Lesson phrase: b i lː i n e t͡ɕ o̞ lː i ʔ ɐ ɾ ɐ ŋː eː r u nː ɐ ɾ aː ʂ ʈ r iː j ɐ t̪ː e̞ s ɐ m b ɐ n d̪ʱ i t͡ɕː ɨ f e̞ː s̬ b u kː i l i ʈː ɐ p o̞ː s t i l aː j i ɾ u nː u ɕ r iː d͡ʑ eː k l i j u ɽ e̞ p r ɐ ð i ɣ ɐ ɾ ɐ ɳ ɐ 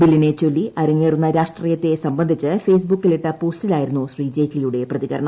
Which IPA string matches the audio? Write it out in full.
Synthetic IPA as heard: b i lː i n e t͡ɕ o̞ lː i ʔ ɐ ɾ ɐ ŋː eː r u nː ɐ ɾ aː ʂ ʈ r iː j ɐ t̪ː e̞ s ɐ m b ɐ n d̪ʱ i t͡ɕː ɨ f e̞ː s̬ b u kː i l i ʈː ɐ p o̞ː s t i l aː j i ɾ u nː u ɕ r iː d͡ʑ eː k l i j u ɽ e̞ p r ɐ ð i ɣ ɐ ɾ ɐ ɳ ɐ